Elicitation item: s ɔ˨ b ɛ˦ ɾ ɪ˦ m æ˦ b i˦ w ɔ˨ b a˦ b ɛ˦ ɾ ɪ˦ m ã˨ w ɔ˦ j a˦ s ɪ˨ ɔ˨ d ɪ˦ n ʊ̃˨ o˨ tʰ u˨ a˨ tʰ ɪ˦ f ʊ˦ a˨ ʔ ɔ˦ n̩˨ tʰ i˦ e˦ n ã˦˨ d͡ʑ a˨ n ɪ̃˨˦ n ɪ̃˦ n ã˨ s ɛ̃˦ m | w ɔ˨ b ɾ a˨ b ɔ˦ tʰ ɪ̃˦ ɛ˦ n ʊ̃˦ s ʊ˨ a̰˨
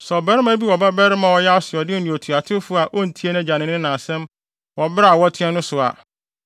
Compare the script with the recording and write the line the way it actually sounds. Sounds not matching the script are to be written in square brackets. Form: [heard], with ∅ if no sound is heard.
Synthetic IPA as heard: s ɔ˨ b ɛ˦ ɾ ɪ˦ m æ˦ b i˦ w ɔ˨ b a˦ b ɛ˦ ɾ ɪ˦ m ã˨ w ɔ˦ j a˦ s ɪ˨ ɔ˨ d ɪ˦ n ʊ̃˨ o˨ tʰ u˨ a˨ tʰ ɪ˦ f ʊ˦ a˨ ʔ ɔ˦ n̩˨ tʰ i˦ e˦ n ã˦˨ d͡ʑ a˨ n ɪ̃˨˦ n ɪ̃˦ n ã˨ s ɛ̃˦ m | w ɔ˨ b ɾ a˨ [w] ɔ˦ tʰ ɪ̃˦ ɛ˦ n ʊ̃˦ s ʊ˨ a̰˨